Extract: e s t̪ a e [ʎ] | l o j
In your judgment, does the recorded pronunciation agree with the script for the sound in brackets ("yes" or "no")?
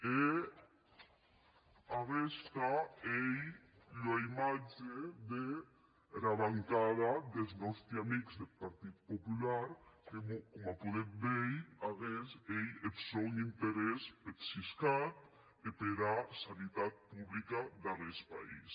no